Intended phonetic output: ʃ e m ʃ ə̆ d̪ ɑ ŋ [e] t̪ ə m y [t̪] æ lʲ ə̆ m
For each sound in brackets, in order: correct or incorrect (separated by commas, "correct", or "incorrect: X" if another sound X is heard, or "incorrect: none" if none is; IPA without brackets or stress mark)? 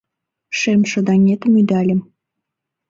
correct, incorrect: d̪